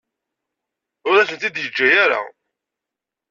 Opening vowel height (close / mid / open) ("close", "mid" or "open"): close